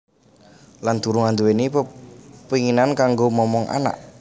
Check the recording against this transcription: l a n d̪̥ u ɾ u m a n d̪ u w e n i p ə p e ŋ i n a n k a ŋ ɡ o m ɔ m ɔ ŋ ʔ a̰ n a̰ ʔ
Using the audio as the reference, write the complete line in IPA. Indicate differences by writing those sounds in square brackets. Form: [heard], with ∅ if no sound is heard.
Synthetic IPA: l a n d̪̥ u ɾ u [ŋ] a n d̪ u w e n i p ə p [i] ŋ i n a n k a ŋ ɡ o m ɔ m ɔ ŋ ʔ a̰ n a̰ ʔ